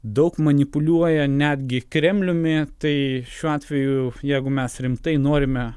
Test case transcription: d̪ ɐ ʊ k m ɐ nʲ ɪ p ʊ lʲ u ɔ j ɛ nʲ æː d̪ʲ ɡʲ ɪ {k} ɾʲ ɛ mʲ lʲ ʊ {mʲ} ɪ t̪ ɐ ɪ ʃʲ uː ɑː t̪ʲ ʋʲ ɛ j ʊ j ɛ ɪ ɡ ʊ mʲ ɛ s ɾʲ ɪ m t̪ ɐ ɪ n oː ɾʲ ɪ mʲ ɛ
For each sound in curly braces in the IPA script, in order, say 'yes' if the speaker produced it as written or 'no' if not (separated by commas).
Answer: yes, yes